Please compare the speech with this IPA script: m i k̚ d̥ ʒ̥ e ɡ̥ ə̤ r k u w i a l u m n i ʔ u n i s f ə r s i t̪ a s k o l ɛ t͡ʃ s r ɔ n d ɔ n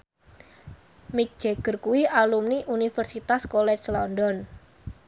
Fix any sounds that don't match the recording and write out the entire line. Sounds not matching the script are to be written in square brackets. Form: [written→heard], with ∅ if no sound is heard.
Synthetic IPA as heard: m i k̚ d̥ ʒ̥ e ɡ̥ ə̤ r k u w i a l u m n i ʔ u n i [s→∅] f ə r s i t̪ a s k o l ɛ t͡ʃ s [r→l] ɔ n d ɔ n